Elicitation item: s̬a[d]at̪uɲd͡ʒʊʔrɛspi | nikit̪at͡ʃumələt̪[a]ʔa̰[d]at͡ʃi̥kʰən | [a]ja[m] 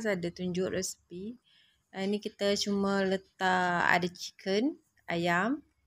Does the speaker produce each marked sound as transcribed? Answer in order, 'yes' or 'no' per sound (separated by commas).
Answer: yes, yes, yes, yes, yes